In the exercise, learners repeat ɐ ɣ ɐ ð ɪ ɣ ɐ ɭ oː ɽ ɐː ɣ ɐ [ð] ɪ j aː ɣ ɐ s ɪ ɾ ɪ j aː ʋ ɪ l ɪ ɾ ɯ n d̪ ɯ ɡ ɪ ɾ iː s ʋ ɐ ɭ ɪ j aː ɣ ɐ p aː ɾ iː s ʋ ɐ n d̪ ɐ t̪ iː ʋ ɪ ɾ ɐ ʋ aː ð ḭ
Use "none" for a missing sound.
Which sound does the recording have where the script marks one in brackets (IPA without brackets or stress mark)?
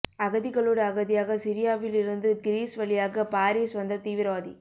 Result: ð